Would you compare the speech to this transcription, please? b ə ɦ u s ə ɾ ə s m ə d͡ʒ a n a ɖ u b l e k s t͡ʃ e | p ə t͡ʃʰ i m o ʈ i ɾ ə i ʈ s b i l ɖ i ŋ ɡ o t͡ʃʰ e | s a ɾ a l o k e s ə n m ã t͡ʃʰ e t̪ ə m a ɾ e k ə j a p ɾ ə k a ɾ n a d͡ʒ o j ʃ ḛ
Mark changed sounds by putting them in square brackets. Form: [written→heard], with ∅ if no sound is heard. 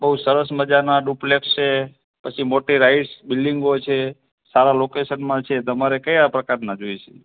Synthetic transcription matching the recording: b ə ɦ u s ə ɾ ə s m ə d͡ʒ a n a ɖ u [b→p] l e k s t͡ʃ e | p ə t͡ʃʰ i m o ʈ i ɾ [ə→a] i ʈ s b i l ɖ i ŋ ɡ o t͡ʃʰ e | s a ɾ a l o k e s ə n m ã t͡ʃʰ e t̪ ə m a ɾ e k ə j a p ɾ ə k a ɾ n a d͡ʒ o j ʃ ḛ